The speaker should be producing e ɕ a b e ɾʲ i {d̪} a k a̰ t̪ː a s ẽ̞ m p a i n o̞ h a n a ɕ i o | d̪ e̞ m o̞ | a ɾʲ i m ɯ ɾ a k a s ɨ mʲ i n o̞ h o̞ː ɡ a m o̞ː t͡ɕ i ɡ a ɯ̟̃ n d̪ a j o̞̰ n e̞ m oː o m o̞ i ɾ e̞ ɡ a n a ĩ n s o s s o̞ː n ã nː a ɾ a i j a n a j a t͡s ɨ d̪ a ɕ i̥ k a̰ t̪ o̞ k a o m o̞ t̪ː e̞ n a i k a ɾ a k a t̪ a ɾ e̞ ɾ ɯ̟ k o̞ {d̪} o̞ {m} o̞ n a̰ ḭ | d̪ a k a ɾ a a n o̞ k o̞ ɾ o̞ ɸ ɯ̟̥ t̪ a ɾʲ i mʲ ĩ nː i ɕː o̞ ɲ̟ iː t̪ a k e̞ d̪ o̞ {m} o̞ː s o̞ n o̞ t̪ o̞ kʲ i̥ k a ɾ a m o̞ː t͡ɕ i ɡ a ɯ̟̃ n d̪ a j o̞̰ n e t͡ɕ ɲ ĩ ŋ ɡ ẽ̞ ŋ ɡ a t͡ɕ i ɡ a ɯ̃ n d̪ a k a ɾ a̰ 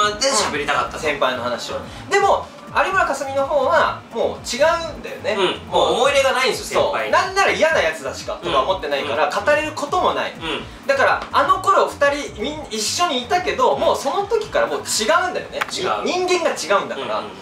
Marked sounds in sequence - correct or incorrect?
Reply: incorrect, incorrect, correct, correct

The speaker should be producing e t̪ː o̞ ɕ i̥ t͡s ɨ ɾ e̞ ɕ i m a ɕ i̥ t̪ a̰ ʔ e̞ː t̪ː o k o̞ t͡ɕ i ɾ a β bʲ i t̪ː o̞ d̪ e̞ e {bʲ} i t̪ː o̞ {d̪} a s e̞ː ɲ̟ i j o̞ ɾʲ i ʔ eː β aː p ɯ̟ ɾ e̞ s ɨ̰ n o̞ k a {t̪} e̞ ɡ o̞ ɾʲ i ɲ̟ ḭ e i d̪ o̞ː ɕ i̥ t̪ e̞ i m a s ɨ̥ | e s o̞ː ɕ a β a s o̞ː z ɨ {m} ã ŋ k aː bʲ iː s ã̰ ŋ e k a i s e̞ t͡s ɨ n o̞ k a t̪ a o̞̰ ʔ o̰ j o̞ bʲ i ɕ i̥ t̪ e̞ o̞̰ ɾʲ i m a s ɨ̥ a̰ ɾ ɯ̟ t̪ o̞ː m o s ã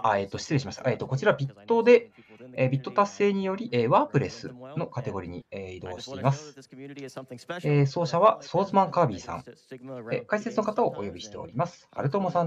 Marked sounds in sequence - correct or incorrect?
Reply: correct, incorrect, correct, correct

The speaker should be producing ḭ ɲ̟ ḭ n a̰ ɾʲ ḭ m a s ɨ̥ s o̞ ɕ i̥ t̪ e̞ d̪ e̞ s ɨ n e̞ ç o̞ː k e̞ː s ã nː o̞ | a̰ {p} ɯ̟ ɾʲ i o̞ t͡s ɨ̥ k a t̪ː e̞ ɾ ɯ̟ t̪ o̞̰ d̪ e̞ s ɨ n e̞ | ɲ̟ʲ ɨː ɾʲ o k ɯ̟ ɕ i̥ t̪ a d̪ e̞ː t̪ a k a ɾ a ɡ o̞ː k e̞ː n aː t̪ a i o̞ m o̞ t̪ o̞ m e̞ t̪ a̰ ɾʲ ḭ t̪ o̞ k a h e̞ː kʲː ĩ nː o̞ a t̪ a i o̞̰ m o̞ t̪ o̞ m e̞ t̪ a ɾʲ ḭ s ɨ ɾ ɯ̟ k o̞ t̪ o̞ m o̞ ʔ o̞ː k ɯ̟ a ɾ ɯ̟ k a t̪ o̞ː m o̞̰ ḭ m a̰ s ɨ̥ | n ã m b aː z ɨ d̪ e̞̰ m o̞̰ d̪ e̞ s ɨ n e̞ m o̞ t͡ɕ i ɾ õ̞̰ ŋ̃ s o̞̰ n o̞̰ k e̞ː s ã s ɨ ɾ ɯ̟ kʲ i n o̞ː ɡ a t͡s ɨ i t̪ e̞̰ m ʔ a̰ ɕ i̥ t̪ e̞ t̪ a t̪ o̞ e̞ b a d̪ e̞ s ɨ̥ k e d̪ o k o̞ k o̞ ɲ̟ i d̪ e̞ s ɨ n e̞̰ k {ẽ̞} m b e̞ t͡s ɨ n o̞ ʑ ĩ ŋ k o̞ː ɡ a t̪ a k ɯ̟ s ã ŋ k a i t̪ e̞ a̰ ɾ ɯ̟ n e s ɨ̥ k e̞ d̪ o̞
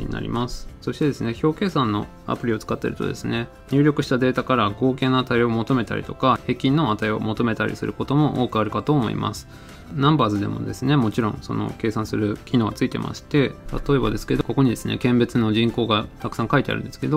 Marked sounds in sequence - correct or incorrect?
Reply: correct, correct

